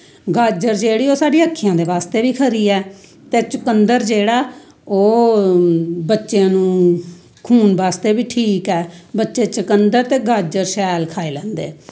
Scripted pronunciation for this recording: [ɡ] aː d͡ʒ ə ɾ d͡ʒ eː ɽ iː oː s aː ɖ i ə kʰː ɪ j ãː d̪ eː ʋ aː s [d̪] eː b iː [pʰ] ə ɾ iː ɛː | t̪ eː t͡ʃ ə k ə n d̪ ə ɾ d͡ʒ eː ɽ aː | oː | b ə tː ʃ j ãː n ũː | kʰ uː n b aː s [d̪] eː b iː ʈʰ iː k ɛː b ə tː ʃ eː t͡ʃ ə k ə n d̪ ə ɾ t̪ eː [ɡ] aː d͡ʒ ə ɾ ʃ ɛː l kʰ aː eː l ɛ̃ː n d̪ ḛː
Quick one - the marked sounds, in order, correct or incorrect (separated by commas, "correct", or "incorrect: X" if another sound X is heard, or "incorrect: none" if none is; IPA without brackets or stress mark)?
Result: correct, incorrect: t̪, incorrect: kʰ, incorrect: t̪, correct